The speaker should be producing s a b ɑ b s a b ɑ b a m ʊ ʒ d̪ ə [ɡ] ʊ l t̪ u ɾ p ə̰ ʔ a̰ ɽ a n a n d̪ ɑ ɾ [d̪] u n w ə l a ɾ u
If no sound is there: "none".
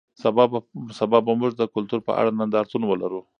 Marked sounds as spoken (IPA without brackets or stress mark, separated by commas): k, t̪